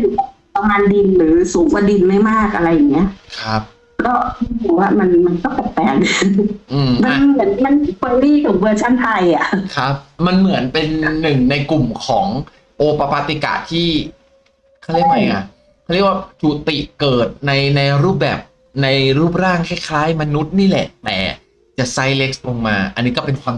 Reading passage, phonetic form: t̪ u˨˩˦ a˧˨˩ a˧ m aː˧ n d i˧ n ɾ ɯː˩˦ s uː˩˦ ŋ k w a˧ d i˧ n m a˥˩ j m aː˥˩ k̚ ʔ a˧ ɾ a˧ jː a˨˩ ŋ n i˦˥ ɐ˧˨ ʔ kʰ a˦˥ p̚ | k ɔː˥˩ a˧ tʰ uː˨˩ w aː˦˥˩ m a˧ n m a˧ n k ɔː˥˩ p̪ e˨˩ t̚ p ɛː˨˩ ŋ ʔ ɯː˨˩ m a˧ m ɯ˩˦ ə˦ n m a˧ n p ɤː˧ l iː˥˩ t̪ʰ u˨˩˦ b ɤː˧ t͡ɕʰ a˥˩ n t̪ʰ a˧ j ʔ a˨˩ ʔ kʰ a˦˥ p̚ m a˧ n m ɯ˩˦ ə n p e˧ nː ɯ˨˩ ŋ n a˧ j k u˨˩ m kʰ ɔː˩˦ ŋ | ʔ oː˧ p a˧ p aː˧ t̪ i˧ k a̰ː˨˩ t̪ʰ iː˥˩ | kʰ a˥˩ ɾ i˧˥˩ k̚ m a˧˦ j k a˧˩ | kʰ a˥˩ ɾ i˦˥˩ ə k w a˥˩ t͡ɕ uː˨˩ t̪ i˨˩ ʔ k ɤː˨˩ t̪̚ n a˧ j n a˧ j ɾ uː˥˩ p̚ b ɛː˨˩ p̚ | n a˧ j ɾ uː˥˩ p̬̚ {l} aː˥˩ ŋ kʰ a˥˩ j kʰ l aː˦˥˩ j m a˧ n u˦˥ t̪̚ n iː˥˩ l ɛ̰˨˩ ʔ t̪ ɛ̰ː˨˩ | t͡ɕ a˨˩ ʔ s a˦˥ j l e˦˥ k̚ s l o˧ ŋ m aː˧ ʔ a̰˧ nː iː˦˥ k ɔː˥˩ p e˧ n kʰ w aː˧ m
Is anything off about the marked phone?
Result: yes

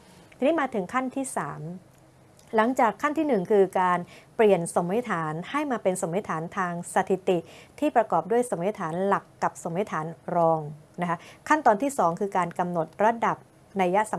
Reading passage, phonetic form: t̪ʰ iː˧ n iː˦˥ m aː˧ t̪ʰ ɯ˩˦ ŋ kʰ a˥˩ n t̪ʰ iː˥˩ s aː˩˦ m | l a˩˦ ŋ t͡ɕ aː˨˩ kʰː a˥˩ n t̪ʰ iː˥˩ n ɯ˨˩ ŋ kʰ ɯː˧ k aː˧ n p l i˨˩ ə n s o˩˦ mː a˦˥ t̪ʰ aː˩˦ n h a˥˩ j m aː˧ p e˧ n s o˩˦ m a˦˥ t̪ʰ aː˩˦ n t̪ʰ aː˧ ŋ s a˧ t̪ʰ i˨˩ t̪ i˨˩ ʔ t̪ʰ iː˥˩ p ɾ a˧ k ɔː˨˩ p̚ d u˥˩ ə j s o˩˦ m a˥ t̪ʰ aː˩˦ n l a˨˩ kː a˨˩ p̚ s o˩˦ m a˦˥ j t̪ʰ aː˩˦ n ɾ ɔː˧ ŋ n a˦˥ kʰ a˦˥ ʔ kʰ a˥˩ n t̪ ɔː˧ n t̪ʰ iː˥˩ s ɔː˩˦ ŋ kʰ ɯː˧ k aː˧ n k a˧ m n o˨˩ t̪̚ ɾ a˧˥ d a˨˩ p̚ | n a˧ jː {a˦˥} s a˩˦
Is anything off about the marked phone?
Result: no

